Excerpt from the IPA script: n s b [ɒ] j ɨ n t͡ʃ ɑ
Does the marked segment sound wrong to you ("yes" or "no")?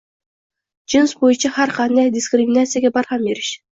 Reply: yes